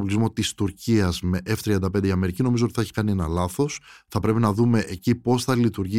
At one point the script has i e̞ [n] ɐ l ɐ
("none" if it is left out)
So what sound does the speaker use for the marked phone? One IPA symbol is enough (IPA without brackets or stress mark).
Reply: n